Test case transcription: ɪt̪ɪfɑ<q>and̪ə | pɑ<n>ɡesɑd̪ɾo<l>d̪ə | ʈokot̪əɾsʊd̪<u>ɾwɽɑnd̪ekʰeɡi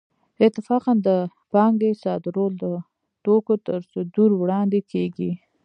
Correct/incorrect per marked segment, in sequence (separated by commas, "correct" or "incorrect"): correct, incorrect, correct, correct